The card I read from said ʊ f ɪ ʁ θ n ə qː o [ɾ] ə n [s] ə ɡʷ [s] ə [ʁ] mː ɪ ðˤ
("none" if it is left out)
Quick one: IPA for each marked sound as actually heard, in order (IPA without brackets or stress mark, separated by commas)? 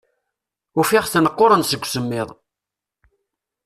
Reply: ɾ, s, s, none